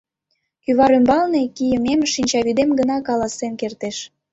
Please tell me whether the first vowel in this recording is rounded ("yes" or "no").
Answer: yes